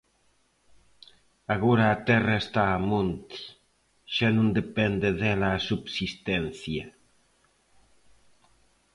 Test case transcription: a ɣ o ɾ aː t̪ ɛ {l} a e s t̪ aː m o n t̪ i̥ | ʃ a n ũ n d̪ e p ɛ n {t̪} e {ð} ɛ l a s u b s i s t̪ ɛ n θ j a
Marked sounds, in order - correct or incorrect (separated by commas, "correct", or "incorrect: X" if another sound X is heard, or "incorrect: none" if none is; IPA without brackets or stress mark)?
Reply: incorrect: r, incorrect: d̪, correct